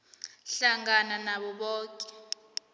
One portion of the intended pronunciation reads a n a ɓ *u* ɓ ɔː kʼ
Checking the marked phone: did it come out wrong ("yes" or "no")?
yes